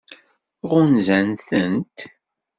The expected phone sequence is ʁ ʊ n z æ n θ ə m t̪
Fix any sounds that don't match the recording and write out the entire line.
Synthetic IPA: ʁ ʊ n z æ n θ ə n t̪